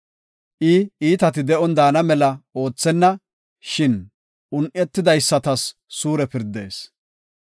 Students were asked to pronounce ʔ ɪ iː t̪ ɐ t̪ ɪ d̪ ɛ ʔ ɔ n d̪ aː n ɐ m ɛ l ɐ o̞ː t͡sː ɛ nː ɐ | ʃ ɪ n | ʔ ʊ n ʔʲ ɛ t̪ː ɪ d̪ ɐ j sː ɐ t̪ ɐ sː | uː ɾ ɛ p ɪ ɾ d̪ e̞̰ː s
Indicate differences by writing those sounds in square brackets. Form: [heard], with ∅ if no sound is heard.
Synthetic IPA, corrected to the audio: ʔ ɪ iː t̪ ɐ t̪ ɪ d̪ ɛ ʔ ɔ n d̪ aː n ɐ m ɛ l ɐ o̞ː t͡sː ɛ nː ɐ | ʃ ɪ n | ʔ ʊ n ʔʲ ɛ t̪ː ɪ d̪ ɐ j sː ɐ t̪ ɐ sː | uː ɾ ɛ p ɪ ɾ d̪ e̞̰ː s